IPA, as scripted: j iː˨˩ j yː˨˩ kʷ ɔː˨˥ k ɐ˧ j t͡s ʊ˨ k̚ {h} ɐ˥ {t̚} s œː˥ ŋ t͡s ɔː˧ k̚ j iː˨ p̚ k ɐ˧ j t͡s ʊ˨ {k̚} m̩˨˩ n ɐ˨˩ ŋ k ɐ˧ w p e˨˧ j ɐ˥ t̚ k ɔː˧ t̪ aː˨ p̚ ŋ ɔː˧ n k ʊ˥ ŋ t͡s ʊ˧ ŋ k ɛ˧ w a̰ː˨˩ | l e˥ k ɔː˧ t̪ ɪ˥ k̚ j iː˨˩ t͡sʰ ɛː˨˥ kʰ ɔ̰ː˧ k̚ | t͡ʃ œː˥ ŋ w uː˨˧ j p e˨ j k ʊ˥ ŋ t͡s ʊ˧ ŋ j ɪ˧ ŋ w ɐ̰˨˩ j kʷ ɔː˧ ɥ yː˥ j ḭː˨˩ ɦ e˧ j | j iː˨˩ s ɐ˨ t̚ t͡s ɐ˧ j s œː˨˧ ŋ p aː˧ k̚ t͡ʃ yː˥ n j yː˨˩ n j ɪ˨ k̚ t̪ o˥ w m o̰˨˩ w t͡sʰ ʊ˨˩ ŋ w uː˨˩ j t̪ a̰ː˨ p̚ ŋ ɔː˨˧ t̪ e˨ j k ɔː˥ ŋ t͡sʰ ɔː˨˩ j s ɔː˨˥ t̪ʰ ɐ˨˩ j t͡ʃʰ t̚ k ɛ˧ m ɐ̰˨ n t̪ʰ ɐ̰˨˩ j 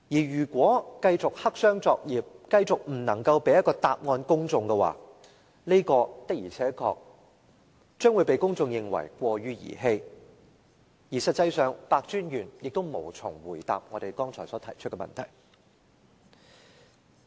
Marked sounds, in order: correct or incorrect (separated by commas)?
correct, incorrect, correct